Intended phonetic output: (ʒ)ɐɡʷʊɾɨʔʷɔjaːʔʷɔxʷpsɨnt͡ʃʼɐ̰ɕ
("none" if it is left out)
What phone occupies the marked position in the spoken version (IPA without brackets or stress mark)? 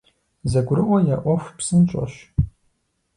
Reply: z